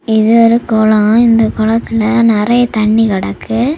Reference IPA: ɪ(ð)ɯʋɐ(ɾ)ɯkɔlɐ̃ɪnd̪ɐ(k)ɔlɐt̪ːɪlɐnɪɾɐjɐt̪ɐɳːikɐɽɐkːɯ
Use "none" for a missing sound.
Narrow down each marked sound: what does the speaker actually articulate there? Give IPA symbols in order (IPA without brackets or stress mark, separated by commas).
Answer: ð, ɾ, k